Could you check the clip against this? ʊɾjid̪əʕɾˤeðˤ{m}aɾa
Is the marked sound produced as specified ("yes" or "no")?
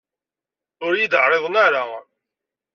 no